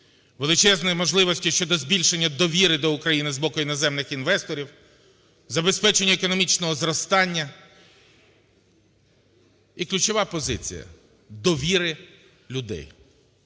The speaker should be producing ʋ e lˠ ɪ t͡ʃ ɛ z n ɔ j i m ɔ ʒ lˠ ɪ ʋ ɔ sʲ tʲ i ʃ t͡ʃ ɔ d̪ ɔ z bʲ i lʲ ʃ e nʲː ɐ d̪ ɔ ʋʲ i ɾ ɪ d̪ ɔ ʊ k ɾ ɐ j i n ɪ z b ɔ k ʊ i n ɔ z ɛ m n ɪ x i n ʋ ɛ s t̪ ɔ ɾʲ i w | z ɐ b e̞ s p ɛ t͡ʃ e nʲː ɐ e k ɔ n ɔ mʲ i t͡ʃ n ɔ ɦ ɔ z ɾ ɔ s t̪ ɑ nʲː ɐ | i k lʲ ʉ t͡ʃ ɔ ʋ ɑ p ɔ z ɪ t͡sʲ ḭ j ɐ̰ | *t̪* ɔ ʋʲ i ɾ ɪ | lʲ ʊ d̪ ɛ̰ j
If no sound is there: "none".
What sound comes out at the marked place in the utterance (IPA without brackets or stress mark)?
d̪